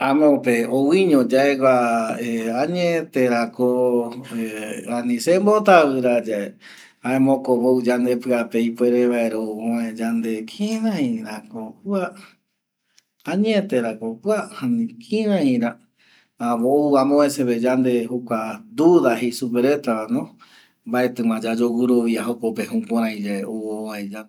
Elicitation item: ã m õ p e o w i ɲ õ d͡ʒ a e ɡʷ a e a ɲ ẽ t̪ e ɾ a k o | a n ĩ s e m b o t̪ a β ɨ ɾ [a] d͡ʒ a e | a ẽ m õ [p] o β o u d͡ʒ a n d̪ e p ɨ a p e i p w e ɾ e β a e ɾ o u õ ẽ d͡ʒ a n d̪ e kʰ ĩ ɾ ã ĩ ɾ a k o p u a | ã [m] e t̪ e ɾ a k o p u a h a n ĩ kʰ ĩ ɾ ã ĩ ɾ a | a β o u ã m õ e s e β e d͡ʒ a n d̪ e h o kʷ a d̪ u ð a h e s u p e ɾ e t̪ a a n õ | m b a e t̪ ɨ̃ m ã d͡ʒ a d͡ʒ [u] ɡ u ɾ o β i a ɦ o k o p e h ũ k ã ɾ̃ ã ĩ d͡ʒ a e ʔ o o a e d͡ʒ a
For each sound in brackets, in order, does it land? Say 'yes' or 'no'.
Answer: yes, no, no, no

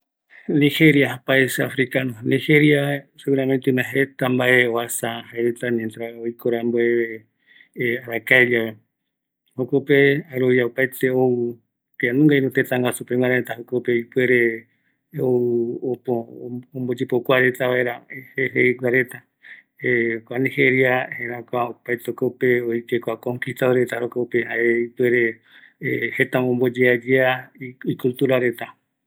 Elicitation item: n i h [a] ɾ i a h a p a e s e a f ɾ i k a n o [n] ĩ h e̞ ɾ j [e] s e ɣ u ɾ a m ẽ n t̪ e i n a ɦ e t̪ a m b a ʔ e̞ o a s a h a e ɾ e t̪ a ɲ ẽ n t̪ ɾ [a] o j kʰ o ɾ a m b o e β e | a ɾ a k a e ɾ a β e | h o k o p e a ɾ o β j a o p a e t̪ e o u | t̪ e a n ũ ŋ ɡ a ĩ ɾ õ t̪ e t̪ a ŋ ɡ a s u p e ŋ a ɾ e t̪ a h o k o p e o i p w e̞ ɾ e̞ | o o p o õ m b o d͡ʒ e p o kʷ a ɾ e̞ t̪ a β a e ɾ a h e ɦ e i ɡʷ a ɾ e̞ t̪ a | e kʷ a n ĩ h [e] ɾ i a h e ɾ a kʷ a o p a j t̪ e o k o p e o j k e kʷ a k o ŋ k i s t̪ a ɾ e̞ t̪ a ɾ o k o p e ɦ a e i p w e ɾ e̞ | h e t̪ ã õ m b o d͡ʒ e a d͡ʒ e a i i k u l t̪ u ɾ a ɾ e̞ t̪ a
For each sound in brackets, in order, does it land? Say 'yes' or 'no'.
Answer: no, yes, no, yes, yes

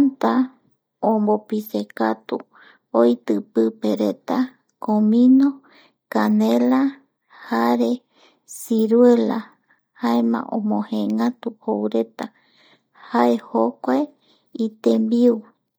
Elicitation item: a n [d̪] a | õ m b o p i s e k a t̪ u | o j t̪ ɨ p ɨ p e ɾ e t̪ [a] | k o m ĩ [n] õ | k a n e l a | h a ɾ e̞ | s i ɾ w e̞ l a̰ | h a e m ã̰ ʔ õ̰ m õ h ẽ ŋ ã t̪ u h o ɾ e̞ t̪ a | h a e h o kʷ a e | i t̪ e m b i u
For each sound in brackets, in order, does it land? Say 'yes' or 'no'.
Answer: no, yes, yes

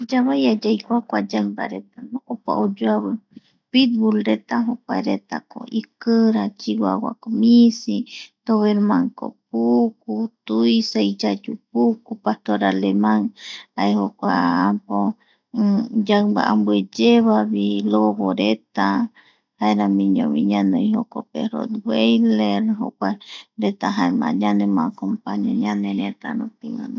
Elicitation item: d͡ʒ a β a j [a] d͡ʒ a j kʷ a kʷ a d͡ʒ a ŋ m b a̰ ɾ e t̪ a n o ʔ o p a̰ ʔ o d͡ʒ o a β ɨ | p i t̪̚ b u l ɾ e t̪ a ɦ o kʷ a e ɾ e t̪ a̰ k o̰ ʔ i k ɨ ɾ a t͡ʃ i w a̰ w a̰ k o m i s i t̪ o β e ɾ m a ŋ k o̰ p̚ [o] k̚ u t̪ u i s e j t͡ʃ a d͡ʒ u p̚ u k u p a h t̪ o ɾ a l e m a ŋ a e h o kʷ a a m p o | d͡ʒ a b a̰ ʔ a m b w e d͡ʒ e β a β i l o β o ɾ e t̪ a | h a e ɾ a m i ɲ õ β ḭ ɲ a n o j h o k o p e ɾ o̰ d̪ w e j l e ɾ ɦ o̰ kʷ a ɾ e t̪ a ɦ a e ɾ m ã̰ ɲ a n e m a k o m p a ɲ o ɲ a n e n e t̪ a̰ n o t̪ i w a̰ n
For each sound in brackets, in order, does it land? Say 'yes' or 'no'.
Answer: yes, no

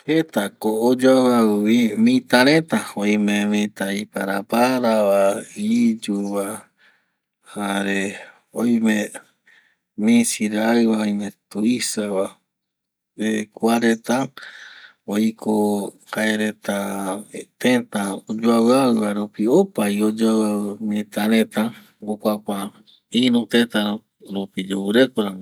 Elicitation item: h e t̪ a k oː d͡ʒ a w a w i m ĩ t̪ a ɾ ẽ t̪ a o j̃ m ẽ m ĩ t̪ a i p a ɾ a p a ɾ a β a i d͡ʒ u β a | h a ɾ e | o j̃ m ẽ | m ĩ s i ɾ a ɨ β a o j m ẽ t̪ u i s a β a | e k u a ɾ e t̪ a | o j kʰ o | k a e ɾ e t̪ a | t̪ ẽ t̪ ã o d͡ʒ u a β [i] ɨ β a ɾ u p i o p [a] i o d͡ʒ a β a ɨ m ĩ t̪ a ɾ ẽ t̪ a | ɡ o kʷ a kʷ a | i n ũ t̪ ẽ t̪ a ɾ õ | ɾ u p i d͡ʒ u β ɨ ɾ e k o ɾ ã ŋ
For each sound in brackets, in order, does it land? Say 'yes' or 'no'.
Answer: no, yes

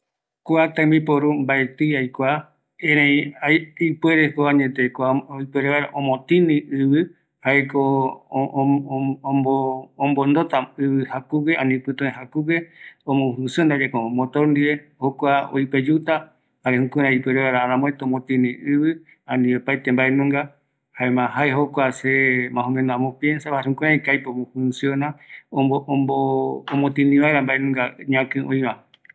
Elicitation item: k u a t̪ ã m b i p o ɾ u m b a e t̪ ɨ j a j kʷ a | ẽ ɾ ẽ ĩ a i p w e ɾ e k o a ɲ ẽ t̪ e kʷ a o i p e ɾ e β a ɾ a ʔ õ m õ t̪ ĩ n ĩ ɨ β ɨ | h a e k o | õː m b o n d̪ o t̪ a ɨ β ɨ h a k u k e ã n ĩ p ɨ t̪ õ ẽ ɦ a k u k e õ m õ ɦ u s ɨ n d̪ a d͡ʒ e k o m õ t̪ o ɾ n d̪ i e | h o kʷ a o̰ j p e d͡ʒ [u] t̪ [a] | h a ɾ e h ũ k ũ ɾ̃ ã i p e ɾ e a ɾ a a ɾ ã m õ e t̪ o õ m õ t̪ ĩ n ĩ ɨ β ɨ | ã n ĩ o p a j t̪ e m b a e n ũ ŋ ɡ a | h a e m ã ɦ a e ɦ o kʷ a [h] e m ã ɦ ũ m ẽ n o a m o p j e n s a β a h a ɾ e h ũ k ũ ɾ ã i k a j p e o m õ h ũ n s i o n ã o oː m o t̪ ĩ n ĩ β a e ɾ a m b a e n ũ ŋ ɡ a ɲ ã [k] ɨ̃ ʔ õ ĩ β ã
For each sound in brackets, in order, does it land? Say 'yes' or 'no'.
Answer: yes, yes, no, yes

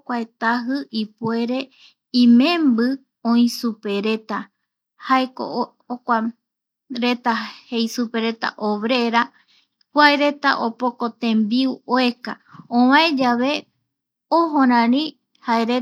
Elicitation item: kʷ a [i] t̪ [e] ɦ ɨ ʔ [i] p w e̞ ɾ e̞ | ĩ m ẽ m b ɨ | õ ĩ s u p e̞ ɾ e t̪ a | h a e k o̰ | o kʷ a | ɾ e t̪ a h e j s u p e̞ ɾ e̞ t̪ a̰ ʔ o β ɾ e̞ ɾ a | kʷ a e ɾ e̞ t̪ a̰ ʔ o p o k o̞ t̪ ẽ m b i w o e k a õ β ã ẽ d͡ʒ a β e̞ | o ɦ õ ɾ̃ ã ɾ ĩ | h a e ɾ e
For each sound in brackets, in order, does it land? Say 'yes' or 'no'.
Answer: no, no, yes

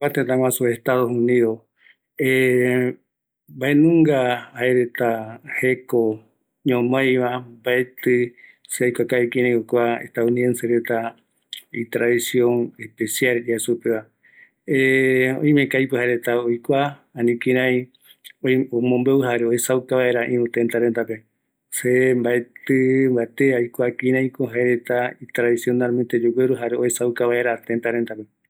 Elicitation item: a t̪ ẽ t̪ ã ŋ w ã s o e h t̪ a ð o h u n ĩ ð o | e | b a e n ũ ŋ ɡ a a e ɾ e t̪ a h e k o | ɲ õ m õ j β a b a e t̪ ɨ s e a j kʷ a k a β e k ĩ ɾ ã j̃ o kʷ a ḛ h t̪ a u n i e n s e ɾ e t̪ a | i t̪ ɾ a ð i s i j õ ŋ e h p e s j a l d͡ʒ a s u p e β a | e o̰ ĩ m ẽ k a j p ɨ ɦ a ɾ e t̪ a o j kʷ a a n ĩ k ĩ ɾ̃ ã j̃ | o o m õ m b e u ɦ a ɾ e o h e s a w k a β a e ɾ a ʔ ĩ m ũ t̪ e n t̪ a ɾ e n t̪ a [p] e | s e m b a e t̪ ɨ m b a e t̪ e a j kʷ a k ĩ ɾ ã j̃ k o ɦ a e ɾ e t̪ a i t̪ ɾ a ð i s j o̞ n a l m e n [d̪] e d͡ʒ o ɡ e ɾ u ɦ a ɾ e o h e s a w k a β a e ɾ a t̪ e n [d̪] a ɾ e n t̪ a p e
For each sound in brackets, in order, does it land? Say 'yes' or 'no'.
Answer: yes, no, no

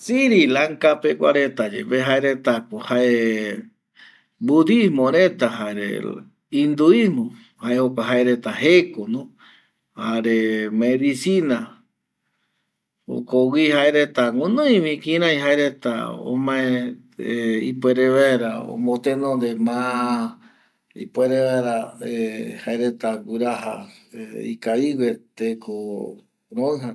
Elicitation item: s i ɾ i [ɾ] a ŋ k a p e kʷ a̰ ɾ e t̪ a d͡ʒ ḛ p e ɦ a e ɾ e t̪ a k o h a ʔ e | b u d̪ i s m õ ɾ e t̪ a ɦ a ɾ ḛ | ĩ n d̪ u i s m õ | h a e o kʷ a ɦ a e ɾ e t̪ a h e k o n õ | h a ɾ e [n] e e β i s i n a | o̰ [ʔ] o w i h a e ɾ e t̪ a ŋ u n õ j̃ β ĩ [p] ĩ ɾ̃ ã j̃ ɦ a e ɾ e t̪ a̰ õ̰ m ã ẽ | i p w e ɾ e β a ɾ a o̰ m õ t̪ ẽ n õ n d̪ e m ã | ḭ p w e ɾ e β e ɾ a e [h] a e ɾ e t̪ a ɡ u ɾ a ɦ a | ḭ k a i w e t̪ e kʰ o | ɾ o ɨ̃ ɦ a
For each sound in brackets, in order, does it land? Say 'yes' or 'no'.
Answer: no, no, no, no, yes

